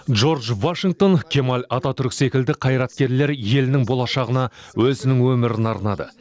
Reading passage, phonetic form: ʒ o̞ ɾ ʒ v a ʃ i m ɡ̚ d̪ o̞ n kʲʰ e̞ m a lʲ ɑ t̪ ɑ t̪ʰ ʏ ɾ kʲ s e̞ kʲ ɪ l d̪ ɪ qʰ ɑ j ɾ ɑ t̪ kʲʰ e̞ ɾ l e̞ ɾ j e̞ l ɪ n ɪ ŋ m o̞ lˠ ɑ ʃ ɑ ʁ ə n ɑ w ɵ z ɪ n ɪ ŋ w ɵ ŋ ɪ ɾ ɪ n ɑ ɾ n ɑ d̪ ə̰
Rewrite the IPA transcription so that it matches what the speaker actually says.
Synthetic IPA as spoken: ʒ o̞ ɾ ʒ v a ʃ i ŋ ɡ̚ t̪ o̞ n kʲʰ e̞ m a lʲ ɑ t̪ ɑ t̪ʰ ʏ ɾ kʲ s e̞ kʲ ɪ l d̪ ɪ qʰ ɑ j ɾ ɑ t̪ kʲ e̞ ɾ l e̞ ɾ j e̞ l ɪ n ɪ ŋ b o̞ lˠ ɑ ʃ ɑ ʁ ə n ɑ w ɵ z ɪ n ɪ ŋ w ɵ m ɪ ɾ ɪ n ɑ ɾ n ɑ d̪ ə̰